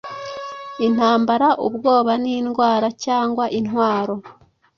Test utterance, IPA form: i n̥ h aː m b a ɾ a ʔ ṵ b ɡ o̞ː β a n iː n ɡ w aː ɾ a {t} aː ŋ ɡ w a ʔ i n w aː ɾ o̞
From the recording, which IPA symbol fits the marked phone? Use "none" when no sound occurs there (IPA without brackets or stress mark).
c